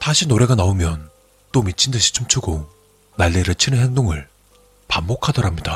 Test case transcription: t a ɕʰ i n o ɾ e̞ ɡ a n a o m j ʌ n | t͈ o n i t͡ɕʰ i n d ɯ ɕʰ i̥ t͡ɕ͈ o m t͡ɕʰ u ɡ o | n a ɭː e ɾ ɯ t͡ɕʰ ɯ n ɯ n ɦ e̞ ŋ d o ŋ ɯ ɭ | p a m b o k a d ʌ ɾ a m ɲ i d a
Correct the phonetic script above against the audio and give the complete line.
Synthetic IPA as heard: t a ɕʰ i n o ɾ e̞ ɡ a n a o m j ʌ n | t͈ o m i t͡ɕʰ i n d ɯ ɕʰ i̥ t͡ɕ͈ o m t͡ɕʰ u ɡ o | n a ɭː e ɾ ɯ t͡ɕʰ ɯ n ɯ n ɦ e̞ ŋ d o ŋ ɯ ɭ | p a m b o kʰ a d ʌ ɾ a m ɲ i d a